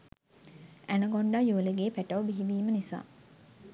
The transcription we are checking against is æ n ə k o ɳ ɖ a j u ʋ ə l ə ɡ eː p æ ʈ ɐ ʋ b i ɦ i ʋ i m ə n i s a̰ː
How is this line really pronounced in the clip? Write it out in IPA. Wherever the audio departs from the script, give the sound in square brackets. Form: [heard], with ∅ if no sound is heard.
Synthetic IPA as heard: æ n ə [ɡ] o ɳ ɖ a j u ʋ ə l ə ɡ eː p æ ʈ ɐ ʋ b i ɦ i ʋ [iː] m ə n i s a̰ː

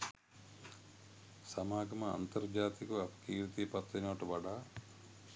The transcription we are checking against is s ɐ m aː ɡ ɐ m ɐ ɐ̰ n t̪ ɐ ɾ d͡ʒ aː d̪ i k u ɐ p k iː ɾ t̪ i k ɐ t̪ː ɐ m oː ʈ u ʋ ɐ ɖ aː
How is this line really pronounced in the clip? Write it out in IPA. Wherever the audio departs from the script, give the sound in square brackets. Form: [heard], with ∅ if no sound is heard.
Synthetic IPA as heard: s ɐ m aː ɡ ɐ m ɐ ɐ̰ n t̪ ɐ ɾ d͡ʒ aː [t̪] i k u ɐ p k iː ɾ t̪ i [p] ɐ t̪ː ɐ [n] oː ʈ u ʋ ɐ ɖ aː

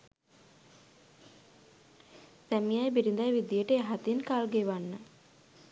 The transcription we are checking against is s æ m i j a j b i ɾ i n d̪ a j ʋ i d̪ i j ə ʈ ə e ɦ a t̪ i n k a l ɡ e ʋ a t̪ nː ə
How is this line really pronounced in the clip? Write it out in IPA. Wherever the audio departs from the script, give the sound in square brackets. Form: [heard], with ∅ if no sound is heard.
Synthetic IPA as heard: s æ m i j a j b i ɾ i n d̪ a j ʋ i d̪ i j ə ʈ ə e ɦ a t̪ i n k a l ɡ e ʋ a [∅] nː ə

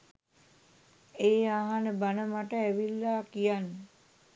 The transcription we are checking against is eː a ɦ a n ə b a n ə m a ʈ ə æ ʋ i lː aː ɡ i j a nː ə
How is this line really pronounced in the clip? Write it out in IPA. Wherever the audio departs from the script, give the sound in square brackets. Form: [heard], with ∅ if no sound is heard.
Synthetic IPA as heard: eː a ɦ a n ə b a n ə m a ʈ ə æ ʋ i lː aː [k] i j a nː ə

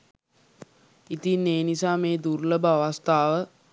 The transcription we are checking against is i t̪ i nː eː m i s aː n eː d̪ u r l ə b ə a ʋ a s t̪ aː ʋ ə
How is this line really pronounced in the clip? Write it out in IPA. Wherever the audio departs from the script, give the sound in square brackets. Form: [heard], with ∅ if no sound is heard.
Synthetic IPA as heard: i t̪ i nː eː [n] i s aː [m] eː d̪ u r l ə b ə a ʋ a s t̪ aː ʋ ə

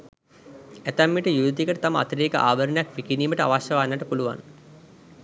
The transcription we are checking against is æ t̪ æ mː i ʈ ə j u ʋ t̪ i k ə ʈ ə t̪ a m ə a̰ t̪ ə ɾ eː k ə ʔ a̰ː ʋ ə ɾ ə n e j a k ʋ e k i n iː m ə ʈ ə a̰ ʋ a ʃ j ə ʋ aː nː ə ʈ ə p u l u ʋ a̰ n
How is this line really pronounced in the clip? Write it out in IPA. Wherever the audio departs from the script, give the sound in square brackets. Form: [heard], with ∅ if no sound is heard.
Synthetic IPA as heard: æ t̪ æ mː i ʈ ə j u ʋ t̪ i k ə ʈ ə t̪ a m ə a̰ t̪ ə ɾ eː k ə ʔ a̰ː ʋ ə ɾ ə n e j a k ʋ [i] k i n iː m ə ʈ ə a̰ ʋ a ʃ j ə ʋ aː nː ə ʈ ə p u l u ʋ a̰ n

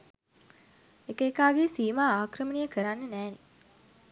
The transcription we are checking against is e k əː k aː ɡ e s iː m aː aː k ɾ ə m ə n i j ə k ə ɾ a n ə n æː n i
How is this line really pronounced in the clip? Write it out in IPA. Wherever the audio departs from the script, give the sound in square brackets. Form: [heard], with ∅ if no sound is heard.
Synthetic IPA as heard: e k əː k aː ɡ e s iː m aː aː k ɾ ə m ə n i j ə k ə ɾ a [nː] ə n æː n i

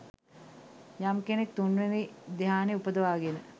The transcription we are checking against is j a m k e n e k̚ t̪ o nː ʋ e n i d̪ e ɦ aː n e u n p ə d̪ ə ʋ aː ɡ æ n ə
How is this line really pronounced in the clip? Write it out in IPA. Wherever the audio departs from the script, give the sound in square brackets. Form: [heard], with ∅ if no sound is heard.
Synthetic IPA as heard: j a m k e n e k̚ t̪ [u] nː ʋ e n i d̪ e ɦ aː n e u [∅] p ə d̪ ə ʋ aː ɡ [e] n ə

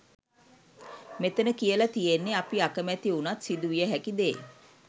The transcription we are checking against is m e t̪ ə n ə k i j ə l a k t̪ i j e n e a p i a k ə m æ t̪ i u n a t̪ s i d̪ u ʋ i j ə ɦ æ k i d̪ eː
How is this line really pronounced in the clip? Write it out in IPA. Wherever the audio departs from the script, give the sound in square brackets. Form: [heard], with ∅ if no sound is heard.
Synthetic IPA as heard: m e t̪ ə n ə k i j ə l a [∅] t̪ i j e [nː] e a p i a k ə m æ t̪ i u n a t̪ s i d̪ u ʋ i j ə ɦ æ k i d̪ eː

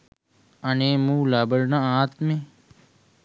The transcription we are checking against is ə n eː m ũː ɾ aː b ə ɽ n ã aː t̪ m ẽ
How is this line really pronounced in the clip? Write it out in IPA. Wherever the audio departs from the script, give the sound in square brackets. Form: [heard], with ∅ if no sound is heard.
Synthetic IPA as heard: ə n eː m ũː [l] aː b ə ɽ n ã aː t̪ m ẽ

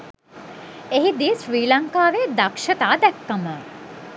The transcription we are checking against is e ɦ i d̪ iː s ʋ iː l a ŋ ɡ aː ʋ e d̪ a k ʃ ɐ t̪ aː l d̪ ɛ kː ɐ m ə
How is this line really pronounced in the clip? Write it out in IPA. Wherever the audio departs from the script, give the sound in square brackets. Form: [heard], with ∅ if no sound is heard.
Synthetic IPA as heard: e ɦ i d̪ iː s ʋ iː l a ŋ [k] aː ʋ e d̪ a k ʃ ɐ t̪ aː [∅] d̪ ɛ kː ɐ m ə

